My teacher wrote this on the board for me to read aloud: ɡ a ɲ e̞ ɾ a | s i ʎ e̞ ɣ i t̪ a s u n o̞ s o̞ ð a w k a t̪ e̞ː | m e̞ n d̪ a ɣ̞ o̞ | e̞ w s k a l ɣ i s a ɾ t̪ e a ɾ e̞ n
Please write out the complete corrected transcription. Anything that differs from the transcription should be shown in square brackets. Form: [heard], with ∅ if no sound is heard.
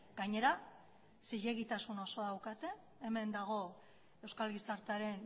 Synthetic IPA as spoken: ɡ a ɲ e̞ ɾ a | s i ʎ e̞ ɣ i t̪ a s u n o̞ s o̞ ð a w k a t̪ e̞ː | m e̞ n d̪ a ɣ̞ o̞ | e̞ w s k a l ɣ i s a ɾ t̪ e a ɾ e̞ n